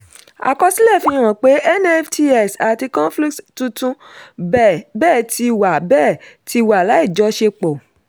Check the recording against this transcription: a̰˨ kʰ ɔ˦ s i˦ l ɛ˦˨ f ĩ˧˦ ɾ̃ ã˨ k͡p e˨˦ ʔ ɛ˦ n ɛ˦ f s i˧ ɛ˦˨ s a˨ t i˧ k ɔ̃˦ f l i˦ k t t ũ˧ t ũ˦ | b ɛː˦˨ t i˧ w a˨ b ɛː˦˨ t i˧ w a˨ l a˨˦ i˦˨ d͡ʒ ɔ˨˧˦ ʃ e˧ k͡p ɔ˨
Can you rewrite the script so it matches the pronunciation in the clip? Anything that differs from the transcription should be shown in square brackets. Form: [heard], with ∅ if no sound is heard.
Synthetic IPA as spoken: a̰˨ [k] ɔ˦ s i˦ l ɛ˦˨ f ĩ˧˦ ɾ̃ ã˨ k͡p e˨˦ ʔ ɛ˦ n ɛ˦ f [t] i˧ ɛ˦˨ s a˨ t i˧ k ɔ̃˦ f l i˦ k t t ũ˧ t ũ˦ | b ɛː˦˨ t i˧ w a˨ b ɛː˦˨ t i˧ w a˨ l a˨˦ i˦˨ d͡ʒ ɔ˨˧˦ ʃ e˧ k͡p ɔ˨